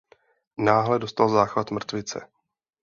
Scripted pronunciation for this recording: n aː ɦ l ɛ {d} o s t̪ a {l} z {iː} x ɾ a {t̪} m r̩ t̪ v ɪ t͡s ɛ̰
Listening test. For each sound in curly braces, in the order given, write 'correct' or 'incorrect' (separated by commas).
correct, correct, incorrect, correct